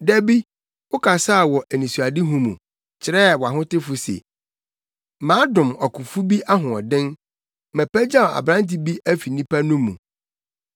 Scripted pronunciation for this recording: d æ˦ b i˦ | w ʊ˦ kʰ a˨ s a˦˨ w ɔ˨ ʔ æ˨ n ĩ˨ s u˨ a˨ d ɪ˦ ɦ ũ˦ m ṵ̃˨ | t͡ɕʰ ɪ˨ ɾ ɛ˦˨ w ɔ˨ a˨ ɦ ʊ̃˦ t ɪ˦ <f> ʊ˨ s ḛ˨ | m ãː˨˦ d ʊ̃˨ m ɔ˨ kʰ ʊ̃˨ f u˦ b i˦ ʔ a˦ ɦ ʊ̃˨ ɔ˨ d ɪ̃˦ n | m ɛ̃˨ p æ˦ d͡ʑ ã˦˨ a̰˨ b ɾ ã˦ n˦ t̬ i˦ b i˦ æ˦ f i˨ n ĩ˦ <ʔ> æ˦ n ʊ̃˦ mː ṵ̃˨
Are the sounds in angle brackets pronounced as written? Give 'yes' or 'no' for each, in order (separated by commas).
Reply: yes, no